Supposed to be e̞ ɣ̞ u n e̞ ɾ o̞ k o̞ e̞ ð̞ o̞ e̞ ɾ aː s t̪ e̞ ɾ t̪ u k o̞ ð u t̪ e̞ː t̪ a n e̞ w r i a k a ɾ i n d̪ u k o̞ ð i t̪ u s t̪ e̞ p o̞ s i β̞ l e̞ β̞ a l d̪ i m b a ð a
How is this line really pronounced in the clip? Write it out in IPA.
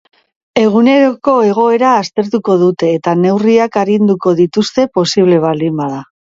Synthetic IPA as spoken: e̞ ɣ̞ u n e̞ ɾ o̞ k o̞ e̞ ɣ̞ o̞ e̞ ɾ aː s t̪ e̞ ɾ t̪ u k o̞ ð u t̪ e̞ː t̪ a n e̞ w r i a k a ɾ i n d̪ u k o̞ ð i t̪ u s t̪ e̞ p o̞ s i β̞ l e̞ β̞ a l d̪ i m b a ð a